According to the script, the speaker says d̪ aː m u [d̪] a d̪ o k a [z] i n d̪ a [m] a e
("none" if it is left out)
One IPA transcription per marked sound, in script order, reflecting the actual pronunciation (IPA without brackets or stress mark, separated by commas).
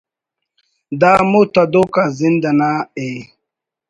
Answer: t̪, z, n